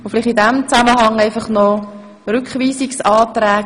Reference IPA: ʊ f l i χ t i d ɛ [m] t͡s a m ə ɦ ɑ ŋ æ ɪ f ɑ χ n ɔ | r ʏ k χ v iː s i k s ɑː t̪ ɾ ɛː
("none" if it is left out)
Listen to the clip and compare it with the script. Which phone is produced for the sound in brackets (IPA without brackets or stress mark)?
m